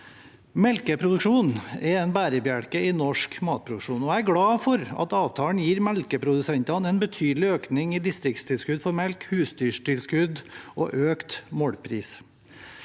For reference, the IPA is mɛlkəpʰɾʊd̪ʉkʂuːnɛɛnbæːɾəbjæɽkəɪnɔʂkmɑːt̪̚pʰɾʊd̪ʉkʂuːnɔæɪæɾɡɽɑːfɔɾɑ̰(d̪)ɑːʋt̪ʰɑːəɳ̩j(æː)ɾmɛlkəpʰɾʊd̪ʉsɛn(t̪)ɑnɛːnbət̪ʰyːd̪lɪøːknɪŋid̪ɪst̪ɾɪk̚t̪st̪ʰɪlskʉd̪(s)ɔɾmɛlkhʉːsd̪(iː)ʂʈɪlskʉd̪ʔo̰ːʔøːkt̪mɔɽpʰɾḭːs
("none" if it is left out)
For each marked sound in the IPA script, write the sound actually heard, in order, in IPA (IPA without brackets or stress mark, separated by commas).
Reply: t̪, iː, t̪, f, yː